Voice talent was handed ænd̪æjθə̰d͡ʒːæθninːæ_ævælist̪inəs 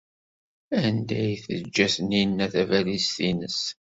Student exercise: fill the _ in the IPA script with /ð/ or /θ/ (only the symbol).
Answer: θ